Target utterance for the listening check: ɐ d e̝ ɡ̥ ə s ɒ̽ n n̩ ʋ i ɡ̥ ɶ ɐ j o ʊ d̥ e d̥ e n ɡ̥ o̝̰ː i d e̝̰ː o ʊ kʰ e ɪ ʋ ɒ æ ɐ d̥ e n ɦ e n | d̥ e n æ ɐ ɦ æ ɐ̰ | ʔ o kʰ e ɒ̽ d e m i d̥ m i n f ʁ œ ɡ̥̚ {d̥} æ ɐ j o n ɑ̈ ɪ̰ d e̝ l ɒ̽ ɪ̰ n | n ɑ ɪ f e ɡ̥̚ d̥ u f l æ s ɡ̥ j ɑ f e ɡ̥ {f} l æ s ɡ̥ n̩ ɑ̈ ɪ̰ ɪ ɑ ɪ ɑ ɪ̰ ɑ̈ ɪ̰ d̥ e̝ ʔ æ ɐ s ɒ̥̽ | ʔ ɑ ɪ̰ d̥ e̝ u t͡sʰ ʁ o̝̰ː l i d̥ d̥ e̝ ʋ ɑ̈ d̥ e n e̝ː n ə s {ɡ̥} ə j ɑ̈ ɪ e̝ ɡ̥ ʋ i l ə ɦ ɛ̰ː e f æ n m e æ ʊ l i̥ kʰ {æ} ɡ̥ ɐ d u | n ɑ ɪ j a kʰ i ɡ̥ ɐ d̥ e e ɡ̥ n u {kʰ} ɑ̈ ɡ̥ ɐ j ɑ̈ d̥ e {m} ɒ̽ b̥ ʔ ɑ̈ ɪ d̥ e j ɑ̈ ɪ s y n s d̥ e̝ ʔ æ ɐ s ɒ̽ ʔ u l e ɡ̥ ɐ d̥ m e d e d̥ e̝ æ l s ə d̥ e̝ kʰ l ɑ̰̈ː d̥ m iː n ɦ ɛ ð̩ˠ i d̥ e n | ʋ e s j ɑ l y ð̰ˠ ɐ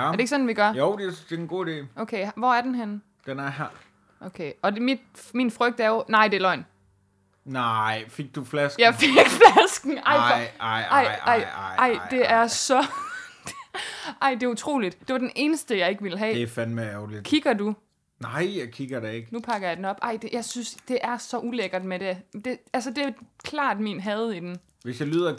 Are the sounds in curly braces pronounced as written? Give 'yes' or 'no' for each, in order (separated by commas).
yes, yes, no, no, no, no